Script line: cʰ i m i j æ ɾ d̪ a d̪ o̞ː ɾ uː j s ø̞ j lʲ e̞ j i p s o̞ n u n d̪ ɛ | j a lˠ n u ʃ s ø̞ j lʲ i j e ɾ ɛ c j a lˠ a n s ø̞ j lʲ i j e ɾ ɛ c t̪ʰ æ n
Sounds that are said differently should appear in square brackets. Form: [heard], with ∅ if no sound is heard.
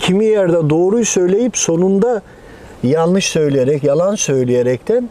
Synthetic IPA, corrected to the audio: cʰ i m i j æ ɾ d̪ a d̪ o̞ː ɾ [u] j s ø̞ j lʲ e̞ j i p s o̞ n u n d̪ [a] | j a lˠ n [ɯ] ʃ s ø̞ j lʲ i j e ɾ ɛ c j a lˠ a n s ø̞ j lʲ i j e ɾ ɛ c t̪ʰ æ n